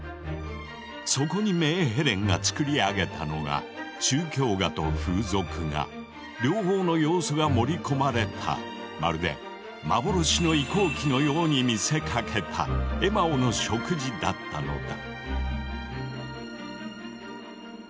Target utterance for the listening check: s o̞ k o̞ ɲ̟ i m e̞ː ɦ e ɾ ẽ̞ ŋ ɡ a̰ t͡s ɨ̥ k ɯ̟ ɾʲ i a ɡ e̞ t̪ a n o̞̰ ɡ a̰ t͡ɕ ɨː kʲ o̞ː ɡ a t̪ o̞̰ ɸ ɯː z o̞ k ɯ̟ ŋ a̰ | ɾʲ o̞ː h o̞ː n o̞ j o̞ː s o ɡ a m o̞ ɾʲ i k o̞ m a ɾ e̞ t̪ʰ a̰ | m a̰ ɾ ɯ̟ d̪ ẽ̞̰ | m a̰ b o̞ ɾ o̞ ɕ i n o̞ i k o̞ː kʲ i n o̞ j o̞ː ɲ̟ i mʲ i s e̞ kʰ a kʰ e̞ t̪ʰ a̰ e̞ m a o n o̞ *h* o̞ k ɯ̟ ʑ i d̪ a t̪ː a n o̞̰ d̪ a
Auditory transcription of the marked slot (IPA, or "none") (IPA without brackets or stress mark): ɕ